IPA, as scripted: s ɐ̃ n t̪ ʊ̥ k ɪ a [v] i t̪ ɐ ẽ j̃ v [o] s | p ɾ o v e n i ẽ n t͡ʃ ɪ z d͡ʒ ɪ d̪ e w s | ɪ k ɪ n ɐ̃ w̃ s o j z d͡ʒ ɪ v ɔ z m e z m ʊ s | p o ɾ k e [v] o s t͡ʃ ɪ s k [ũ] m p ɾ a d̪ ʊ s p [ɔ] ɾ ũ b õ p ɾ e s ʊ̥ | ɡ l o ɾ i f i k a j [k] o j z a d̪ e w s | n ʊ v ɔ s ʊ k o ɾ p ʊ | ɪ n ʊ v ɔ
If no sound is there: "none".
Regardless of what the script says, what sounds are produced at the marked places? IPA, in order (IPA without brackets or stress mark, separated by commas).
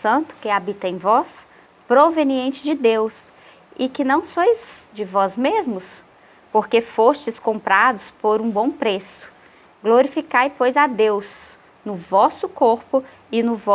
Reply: b, ɔ, f, õ, o, p